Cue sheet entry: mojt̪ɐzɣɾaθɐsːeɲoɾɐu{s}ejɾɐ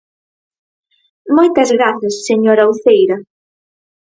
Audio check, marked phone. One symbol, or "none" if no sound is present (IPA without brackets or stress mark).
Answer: θ